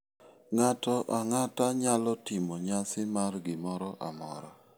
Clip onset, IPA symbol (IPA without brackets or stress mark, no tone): ŋ